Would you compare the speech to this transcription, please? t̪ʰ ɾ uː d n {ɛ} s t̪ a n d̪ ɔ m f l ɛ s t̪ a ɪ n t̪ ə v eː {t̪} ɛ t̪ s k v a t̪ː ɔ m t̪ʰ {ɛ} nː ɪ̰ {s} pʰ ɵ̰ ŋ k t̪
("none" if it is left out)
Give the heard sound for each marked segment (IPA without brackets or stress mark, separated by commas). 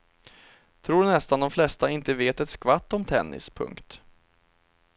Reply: ɛ, t̪, ɛ, s